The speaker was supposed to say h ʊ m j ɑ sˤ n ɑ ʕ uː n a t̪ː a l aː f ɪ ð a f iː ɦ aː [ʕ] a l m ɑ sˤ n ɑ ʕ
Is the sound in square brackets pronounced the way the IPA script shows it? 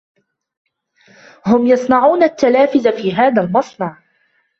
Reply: no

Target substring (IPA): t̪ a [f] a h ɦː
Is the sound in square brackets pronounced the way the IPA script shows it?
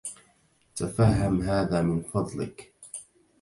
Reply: yes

